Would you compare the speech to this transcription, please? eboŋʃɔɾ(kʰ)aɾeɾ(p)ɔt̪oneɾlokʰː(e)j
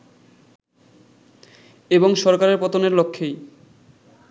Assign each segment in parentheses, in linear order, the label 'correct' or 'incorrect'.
incorrect: k, correct, correct

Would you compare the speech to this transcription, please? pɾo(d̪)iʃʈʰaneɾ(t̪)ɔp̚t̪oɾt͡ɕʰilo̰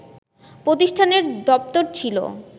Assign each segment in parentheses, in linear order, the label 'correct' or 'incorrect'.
incorrect: t̪, incorrect: d̪

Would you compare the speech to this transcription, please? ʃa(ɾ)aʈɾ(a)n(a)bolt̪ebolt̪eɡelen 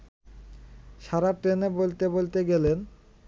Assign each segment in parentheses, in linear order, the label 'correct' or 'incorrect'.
correct, incorrect: e, incorrect: e

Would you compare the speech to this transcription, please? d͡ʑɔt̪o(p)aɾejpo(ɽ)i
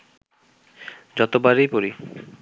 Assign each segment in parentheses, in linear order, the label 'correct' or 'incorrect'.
incorrect: b, incorrect: ɾ

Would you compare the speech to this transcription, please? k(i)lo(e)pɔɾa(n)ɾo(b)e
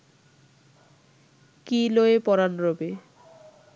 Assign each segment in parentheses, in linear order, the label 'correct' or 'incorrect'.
correct, correct, correct, correct

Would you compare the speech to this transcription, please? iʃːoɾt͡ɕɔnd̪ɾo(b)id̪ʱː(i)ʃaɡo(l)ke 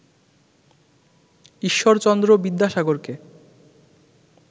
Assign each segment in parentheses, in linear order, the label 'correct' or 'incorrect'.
correct, incorrect: a, incorrect: ɾ

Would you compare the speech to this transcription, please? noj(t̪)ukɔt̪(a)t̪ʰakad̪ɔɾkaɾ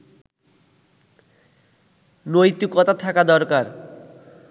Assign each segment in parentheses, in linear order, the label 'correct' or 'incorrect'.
correct, correct

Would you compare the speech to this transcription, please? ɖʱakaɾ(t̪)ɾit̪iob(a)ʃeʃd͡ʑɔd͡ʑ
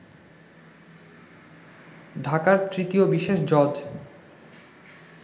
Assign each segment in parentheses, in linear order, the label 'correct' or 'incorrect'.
correct, incorrect: i

